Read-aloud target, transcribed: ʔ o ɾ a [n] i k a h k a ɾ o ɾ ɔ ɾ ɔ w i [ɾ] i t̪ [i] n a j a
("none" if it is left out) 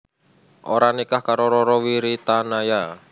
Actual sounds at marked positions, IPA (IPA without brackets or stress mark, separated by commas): n, ɾ, a